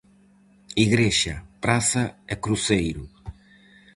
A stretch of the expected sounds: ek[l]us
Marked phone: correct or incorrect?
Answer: incorrect